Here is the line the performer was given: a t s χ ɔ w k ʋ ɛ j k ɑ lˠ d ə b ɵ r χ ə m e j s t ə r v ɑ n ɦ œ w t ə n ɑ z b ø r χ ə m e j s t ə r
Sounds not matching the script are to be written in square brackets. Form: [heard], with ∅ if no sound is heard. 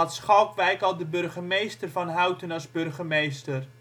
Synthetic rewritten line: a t s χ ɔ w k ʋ ɛ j k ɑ lˠ d ə b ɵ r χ ə m e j s t ə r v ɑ n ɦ œ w t ə n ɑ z b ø r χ ə m e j s t ə r